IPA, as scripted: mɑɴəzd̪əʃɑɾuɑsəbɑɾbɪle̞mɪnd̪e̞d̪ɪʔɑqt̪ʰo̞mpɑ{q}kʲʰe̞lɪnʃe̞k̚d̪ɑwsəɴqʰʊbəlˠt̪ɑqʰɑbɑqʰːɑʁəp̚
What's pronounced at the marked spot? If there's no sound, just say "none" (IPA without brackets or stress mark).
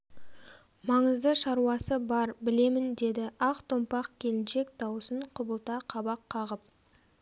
q